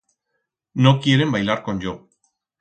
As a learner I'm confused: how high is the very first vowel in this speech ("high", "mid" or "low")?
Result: mid